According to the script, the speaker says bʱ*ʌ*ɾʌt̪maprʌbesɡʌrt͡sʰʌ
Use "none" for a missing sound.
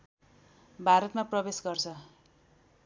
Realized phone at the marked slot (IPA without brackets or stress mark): a